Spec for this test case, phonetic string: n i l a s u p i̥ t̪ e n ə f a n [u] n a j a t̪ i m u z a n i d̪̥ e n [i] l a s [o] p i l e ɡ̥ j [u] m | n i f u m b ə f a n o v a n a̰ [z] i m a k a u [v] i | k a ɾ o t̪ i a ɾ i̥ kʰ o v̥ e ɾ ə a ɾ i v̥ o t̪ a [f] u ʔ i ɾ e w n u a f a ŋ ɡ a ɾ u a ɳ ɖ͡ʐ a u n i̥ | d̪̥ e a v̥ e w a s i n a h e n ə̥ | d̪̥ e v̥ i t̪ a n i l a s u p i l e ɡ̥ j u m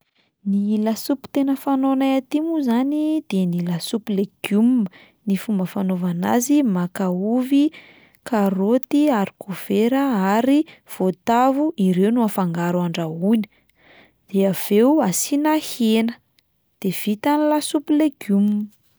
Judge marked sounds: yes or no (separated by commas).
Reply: no, yes, no, yes, yes, yes, no